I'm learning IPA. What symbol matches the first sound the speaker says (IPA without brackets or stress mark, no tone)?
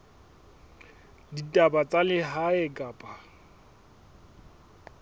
d